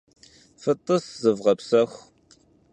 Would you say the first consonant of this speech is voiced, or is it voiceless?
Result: voiceless